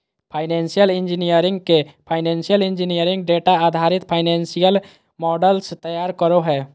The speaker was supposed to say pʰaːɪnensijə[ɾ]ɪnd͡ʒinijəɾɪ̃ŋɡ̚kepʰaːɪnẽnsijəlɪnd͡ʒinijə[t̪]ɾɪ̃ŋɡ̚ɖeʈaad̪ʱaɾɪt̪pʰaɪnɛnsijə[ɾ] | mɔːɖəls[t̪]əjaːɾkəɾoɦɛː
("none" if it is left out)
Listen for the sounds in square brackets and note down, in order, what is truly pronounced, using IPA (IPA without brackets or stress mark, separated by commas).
l, none, l, t̪